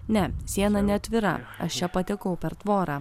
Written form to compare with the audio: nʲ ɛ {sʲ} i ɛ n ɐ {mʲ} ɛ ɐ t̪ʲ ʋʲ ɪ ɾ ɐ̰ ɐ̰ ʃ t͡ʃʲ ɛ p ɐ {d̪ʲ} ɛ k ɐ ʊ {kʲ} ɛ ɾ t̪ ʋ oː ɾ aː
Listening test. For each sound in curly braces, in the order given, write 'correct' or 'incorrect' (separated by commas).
correct, incorrect, incorrect, incorrect